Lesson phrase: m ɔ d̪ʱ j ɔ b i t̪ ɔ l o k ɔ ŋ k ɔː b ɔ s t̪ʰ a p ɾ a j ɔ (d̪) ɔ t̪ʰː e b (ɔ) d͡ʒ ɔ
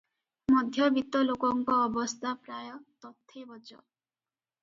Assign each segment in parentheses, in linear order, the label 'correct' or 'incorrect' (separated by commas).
incorrect, correct